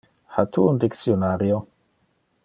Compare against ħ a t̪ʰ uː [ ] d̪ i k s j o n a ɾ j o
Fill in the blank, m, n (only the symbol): n